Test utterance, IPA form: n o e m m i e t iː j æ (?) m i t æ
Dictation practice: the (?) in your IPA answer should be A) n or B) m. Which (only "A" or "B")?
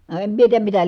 B